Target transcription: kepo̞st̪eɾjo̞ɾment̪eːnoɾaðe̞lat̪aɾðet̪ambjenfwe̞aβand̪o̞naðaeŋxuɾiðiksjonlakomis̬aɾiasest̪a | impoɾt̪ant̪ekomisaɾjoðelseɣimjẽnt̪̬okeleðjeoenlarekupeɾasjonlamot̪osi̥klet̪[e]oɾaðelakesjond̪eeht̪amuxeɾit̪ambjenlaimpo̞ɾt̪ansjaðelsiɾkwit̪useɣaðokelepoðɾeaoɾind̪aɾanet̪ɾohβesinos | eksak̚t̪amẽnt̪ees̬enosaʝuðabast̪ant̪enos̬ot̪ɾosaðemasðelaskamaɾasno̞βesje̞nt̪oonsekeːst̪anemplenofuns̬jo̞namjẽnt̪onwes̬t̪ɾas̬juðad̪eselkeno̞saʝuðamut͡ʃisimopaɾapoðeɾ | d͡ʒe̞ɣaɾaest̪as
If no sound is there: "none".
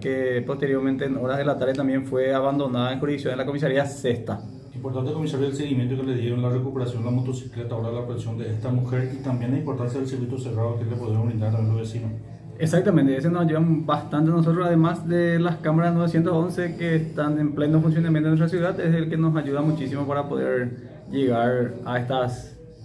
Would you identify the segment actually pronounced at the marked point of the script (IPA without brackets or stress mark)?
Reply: a